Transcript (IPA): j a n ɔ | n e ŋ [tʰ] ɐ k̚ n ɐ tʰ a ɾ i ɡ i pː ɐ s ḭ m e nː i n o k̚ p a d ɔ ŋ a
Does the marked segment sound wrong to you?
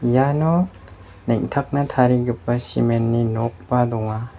no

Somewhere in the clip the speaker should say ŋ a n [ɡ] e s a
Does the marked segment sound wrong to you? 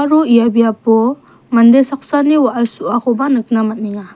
yes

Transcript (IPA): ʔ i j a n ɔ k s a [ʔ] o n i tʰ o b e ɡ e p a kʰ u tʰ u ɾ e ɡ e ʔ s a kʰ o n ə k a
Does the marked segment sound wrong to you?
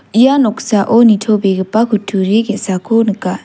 no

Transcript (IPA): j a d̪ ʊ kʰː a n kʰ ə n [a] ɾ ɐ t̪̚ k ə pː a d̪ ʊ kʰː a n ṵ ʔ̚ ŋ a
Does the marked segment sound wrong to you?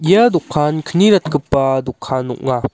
yes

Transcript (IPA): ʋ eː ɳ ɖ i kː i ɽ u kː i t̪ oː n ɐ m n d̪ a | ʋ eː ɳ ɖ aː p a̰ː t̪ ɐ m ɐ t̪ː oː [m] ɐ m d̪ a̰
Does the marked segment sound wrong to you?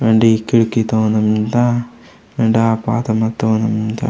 yes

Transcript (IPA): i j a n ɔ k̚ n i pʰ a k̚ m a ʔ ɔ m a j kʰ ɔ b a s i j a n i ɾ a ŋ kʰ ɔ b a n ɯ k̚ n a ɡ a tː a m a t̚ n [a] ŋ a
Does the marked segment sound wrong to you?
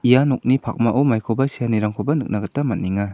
yes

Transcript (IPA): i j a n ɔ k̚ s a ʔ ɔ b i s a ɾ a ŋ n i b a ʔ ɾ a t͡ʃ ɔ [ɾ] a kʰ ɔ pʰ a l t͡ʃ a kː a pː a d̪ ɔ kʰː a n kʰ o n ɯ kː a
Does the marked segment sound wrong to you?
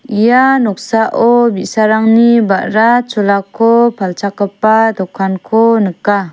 yes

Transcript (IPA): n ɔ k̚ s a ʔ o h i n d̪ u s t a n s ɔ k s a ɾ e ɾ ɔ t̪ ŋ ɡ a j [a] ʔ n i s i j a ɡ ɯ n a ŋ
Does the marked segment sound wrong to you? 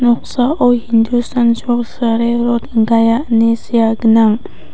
no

